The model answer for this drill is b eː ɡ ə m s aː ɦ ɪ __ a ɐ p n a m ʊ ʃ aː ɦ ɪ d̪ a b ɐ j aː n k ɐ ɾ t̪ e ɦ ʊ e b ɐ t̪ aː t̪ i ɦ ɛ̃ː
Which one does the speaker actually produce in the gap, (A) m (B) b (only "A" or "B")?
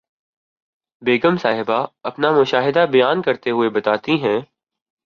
B